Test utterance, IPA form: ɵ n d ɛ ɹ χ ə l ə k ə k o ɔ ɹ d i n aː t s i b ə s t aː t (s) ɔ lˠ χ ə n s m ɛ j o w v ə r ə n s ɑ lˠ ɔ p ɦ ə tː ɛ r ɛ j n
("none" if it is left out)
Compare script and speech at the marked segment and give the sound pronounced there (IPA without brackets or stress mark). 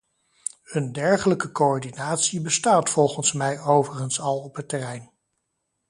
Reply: f